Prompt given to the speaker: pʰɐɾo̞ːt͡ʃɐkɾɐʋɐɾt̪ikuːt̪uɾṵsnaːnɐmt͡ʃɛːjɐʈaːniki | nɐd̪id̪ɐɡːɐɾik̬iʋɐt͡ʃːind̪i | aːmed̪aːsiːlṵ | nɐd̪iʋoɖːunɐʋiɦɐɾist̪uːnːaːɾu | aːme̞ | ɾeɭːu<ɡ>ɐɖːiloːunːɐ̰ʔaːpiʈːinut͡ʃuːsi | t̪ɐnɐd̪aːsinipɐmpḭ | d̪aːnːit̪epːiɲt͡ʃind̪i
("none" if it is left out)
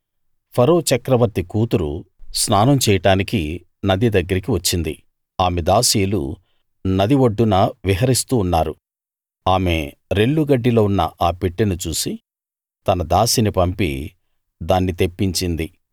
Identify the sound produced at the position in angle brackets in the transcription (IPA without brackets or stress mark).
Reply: ɡ